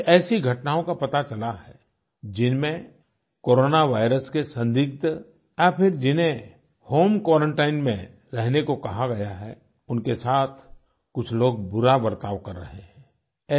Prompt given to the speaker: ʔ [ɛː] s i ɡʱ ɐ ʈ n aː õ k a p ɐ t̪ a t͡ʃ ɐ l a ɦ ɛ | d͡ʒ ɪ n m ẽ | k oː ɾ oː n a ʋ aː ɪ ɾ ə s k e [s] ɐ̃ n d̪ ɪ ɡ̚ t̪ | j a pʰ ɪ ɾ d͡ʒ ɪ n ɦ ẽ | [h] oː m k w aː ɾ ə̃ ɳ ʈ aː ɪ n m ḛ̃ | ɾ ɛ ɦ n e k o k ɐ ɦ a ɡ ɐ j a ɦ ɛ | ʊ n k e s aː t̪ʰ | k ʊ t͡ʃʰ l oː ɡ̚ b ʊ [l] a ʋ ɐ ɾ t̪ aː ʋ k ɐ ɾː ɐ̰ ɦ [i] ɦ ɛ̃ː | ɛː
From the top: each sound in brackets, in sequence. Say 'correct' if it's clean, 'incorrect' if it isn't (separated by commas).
correct, correct, correct, incorrect, incorrect